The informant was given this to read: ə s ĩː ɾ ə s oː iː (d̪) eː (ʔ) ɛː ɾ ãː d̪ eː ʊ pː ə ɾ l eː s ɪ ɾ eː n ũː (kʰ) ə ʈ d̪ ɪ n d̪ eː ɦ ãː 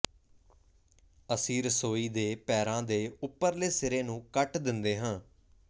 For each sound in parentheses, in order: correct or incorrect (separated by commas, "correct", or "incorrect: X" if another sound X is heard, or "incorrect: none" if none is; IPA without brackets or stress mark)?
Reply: correct, incorrect: p, incorrect: k